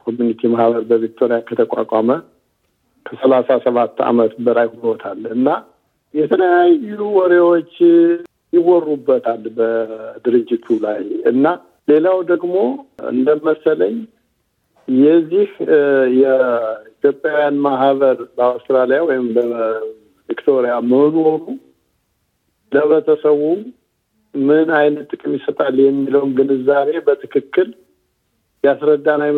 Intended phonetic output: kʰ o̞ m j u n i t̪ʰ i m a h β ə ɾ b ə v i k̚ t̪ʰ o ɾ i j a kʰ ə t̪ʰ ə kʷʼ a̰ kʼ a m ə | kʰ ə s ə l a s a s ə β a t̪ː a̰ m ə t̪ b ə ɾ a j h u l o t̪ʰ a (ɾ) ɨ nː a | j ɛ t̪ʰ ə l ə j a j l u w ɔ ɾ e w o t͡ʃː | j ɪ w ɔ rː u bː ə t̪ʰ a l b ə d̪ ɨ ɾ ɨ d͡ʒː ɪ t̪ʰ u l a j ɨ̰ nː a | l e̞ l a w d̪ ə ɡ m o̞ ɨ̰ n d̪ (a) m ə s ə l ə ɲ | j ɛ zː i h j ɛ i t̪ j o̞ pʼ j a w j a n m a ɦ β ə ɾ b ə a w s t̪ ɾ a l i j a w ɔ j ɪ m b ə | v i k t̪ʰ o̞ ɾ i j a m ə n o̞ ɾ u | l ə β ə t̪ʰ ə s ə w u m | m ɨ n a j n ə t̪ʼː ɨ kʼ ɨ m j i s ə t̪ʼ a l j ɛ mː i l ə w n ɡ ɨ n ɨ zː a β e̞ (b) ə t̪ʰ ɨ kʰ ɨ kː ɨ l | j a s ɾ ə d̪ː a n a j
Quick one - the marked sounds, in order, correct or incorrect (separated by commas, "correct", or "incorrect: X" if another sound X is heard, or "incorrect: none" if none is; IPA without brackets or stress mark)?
incorrect: l, incorrect: ə, correct